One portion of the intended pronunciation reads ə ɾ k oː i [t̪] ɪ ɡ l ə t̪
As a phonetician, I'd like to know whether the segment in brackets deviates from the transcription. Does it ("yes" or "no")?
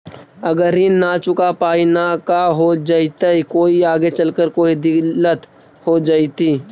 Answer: yes